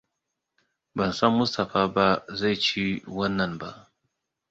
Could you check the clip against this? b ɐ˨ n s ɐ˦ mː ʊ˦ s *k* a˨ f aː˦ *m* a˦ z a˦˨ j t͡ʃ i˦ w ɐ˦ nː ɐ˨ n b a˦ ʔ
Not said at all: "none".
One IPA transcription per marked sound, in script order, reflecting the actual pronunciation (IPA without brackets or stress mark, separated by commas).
t, b